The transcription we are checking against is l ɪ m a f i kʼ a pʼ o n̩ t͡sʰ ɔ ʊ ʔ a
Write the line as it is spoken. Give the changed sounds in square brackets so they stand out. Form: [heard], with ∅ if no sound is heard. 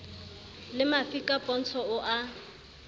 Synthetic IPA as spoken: l ɪ m a f i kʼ a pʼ [ɔ] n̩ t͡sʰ ɔ ʊ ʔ a